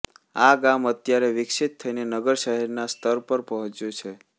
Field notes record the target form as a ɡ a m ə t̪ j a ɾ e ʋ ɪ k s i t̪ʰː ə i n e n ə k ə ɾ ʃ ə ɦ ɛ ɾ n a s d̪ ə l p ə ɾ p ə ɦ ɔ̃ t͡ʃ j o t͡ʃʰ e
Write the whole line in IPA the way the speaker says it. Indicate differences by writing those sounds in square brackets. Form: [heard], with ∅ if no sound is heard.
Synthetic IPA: a ɡ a m ə t̪ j a ɾ e ʋ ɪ k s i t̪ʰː ə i n e n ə [ɡ] ə ɾ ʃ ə ɦ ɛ ɾ n a s [t̪] ə [ɾ] p ə ɾ p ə ɦ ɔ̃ t͡ʃ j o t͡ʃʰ e

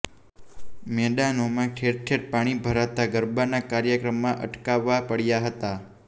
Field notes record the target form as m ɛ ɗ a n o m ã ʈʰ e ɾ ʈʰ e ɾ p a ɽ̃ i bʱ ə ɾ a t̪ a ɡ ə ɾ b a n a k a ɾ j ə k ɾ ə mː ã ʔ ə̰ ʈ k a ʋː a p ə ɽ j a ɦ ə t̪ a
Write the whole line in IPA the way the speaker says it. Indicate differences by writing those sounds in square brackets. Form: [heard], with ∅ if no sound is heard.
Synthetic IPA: m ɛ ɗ a n o m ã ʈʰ e ɾ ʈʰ e ɾ p a ɽ̃ i bʱ ə ɾ a t̪ a ɡ ə ɾ b a n a k a ɾ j ə k ɾ ə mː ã ʔ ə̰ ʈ k a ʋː a p ə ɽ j a ɦ ə t̪ a

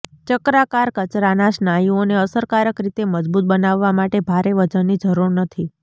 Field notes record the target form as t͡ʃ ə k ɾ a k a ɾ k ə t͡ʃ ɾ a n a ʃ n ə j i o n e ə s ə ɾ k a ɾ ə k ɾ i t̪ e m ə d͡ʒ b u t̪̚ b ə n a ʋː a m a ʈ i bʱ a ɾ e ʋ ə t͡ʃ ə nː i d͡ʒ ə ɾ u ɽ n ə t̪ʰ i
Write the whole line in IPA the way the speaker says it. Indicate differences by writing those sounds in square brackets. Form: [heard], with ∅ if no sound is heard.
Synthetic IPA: t͡ʃ ə k ɾ a k a ɾ k ə t͡ʃ ɾ a n a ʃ n [a] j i o n e ə s ə ɾ k a ɾ ə k ɾ i t̪ e m ə d͡ʒ b u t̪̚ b ə n a ʋː a m a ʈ [e] bʱ a ɾ e ʋ ə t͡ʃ ə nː i d͡ʒ ə ɾ u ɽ n ə t̪ʰ i

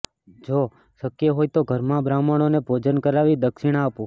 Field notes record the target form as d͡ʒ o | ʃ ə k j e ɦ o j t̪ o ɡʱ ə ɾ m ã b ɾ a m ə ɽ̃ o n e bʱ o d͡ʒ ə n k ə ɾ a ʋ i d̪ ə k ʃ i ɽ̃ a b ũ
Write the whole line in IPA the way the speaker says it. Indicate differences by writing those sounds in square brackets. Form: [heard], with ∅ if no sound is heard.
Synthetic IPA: d͡ʒ o | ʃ ə k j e ɦ o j t̪ o ɡʱ ə ɾ m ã b ɾ a m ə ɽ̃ o n e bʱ o d͡ʒ ə n k ə ɾ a ʋ i d̪ ə k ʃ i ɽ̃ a [p] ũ

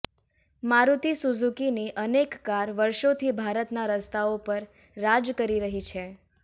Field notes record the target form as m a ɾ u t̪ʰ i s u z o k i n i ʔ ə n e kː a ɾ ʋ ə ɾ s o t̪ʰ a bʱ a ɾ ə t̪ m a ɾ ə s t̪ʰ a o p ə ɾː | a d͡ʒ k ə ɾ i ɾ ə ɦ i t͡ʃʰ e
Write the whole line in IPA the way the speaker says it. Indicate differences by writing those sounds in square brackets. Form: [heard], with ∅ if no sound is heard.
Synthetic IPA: m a ɾ u [t̪] i s u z [u] k i n i ʔ ə n e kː a ɾ ʋ ə ɾ [ʃ] o t̪ʰ [i] bʱ a ɾ ə t̪ [n] a ɾ ə s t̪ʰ a o p ə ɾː | a d͡ʒ k ə ɾ i ɾ ə ɦ i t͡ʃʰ e

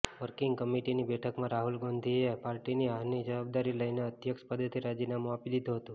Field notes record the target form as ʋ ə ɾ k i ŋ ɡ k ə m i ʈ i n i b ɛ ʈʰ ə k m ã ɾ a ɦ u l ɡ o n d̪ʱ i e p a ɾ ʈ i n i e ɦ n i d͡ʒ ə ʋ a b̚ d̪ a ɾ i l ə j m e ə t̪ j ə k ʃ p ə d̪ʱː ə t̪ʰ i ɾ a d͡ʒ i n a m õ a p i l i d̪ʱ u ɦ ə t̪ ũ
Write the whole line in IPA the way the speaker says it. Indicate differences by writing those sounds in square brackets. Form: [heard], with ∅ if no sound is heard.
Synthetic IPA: ʋ ə ɾ k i ŋ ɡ k ə m i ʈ i n i b ɛ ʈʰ ə k m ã ɾ a ɦ u l ɡ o n d̪ʱ i e p a ɾ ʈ i n i [a] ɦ n i d͡ʒ ə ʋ a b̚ d̪ a ɾ i l ə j [n] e ə t̪ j ə k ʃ p ə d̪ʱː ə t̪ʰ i ɾ a d͡ʒ i n a m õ a p i l i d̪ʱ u ɦ ə t̪ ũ

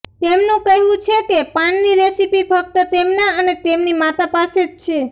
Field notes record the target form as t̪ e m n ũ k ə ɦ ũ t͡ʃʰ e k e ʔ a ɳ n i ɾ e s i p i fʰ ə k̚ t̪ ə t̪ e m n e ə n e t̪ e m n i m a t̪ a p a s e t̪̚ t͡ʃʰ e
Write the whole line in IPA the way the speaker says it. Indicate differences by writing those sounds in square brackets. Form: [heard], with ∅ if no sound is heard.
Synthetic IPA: t̪ e m n ũ k ə ɦ ũ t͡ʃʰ e k e [p] a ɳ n i ɾ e s i p i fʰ ə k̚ t̪ ə t̪ e m n [a] ə n e t̪ e m n i m a t̪ a p a s e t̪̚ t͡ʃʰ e

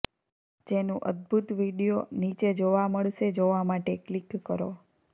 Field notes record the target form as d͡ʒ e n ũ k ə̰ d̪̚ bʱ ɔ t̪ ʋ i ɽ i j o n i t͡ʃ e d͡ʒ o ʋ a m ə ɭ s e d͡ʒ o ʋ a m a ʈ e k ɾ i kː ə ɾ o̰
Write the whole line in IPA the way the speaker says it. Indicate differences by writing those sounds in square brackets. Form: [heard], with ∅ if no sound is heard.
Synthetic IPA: d͡ʒ e n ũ [ʔ] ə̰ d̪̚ bʱ [u] t̪ ʋ i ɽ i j o n i t͡ʃ e d͡ʒ o ʋ a m ə ɭ [ʃ] e d͡ʒ o ʋ a m a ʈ e k [l] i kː ə ɾ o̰

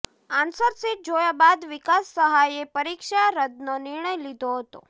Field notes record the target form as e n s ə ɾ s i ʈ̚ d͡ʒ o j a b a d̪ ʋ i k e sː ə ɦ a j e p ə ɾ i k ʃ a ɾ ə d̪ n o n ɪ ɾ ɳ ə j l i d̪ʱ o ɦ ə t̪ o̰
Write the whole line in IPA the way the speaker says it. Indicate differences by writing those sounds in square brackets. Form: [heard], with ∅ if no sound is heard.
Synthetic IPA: [a] n s ə ɾ s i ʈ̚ d͡ʒ o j a b a d̪ ʋ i k [a] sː ə ɦ a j e p ə ɾ i k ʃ a ɾ ə d̪ n o n ɪ ɾ ɳ ə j l i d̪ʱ o ɦ ə t̪ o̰

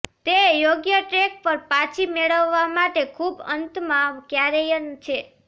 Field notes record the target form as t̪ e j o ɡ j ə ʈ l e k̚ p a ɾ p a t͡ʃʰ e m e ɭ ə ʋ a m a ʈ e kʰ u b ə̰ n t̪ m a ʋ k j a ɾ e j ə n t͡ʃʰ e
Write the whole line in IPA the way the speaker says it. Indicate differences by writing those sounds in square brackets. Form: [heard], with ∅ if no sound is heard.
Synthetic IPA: t̪ e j o ɡ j ə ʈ [ɾ] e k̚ p [ə] ɾ p a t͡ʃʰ [i] m e ɭ ə [ʋː] a m a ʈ e kʰ u b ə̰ n t̪ m a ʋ k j a ɾ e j ə n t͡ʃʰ e

